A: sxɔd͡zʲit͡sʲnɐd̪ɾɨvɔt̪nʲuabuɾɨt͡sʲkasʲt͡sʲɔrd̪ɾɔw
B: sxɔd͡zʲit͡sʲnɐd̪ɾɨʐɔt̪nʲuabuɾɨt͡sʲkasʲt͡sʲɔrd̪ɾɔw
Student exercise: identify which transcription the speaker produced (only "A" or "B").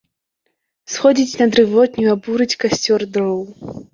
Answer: A